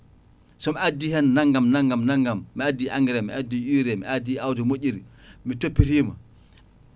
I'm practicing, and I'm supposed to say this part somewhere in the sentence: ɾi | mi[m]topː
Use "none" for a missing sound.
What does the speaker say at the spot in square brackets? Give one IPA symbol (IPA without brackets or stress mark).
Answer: none